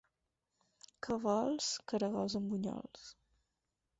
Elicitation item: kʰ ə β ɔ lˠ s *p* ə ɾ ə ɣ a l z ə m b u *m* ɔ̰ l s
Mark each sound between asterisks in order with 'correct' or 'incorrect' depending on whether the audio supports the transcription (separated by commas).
incorrect, incorrect